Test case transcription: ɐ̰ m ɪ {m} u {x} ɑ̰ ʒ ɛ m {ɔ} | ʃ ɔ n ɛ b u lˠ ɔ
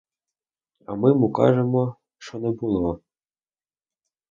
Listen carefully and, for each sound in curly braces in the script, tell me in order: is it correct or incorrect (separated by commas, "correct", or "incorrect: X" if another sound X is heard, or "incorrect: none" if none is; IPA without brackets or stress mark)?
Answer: correct, incorrect: k, correct